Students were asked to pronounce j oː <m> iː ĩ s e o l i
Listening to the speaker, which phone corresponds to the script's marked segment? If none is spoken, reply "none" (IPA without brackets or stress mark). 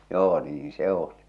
n